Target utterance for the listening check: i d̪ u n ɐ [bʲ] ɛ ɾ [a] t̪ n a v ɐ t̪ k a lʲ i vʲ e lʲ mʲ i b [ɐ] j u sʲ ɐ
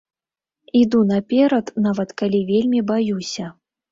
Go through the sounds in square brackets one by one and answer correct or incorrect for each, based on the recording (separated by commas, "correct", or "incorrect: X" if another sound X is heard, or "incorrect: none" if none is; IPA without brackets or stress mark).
incorrect: pʲ, incorrect: ɐ, incorrect: a